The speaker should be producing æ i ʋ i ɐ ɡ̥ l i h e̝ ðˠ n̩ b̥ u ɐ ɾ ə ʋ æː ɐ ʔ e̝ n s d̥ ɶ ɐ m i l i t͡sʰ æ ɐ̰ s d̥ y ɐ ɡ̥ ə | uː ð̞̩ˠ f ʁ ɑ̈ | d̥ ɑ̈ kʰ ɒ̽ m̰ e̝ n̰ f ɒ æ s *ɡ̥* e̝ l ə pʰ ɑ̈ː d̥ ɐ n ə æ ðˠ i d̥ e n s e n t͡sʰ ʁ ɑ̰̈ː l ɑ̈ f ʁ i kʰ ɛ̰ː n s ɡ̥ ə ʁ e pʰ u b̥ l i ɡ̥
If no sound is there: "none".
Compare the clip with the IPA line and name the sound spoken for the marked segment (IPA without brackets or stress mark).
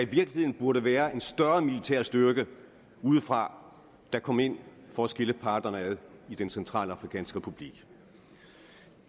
ɡ̥